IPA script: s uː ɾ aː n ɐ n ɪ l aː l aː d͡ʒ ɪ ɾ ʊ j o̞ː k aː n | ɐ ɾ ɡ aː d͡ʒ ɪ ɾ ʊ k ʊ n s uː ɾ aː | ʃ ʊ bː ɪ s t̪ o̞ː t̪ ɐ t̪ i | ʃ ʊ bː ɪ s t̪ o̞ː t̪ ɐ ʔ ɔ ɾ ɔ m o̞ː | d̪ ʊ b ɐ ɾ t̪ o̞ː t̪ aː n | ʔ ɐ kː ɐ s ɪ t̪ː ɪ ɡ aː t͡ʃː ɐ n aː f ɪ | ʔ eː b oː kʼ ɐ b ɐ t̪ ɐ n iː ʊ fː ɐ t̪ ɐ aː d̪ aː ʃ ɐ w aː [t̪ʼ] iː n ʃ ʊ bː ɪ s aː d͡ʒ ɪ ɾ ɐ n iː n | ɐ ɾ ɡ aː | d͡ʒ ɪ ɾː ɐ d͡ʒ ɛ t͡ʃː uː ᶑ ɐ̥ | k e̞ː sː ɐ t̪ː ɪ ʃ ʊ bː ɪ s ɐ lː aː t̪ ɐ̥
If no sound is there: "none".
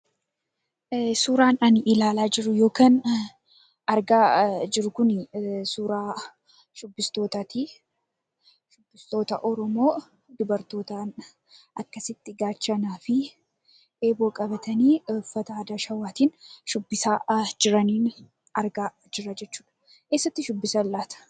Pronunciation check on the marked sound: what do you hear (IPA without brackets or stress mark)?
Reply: t̪